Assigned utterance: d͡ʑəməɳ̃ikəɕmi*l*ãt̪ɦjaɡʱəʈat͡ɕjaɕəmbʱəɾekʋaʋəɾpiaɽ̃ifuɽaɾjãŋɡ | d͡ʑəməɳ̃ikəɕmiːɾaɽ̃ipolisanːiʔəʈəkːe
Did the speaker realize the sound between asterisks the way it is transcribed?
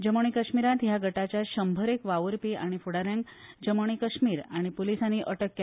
no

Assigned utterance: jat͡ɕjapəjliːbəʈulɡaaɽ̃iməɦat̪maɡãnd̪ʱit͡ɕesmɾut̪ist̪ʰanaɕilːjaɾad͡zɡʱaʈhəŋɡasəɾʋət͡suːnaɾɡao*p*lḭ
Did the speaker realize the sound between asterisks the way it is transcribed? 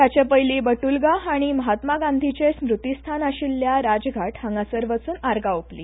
yes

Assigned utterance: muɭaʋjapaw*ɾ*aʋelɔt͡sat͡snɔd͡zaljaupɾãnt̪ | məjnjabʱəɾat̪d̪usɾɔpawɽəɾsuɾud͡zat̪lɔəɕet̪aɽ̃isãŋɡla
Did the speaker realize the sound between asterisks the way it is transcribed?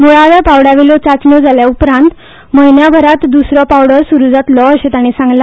no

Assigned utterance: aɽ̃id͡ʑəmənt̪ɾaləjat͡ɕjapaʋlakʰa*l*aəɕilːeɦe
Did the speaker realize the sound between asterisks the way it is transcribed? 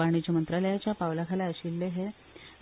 yes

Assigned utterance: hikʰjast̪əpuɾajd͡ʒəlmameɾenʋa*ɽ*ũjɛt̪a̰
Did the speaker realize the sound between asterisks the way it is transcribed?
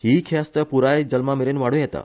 yes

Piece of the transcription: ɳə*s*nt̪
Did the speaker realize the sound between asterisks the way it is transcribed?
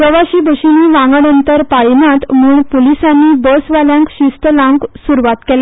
no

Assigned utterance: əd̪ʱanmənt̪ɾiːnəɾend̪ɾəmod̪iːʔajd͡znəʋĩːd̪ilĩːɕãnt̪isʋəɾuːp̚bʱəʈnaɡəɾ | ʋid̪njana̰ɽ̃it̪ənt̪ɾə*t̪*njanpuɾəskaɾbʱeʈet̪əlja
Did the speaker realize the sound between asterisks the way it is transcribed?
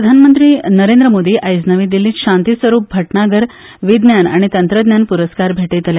no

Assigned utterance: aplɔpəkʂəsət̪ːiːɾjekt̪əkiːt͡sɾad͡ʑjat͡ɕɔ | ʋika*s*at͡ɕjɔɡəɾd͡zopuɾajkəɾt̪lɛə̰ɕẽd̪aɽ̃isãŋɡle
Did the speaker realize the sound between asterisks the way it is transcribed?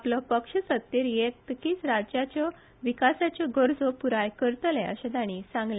yes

